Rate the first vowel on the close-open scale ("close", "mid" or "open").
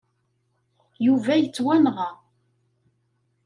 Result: close